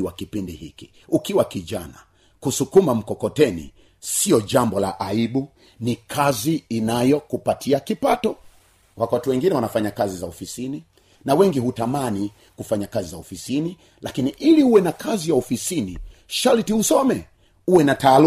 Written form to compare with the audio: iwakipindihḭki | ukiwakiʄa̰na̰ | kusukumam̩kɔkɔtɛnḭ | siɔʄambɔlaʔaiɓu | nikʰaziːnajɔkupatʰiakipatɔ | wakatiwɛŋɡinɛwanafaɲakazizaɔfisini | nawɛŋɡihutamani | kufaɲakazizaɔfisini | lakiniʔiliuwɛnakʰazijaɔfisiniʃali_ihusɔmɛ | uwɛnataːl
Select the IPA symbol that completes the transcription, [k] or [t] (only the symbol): t